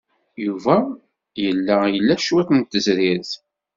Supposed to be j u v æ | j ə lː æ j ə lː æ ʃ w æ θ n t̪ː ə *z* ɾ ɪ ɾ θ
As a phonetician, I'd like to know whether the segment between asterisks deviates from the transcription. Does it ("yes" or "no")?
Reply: no